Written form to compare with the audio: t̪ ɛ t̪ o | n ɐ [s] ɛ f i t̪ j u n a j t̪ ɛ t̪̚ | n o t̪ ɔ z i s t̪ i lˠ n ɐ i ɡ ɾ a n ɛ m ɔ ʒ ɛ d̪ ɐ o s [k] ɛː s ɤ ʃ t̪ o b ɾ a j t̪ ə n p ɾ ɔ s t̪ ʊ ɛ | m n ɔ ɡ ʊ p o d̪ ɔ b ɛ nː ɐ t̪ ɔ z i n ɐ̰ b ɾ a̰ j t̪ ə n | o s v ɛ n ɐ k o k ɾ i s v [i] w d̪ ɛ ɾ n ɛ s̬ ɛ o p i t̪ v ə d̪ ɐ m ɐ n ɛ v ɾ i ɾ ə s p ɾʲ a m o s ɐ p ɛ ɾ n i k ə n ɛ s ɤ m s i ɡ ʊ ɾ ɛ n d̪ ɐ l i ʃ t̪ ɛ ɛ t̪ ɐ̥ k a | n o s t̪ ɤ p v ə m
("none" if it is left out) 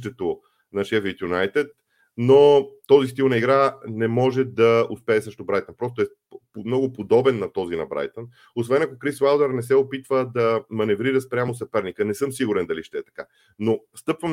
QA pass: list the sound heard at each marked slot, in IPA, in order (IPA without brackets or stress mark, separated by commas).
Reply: ʃ, p, a